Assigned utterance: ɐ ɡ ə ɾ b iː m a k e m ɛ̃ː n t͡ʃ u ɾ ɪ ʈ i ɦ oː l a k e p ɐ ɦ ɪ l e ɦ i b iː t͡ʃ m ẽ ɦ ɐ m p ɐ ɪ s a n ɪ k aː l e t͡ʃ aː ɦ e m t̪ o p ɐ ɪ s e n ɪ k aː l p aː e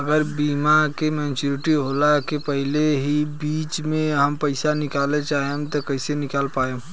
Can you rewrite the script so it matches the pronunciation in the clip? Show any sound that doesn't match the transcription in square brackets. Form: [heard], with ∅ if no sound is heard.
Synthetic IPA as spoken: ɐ ɡ ə ɾ b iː m a k e m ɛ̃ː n t͡ʃ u ɾ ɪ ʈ i ɦ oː l a k e p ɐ ɦ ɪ l e ɦ i b iː t͡ʃ m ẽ ɦ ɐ m p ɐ ɪ s a n ɪ k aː l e t͡ʃ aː ɦ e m t̪ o [k] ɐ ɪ s e n ɪ k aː l p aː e